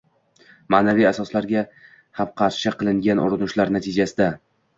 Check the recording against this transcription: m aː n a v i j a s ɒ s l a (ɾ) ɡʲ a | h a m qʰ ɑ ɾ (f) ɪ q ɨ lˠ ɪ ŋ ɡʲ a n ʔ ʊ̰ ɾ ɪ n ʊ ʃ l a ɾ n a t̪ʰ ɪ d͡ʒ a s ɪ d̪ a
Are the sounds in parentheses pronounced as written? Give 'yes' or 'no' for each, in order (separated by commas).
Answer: yes, no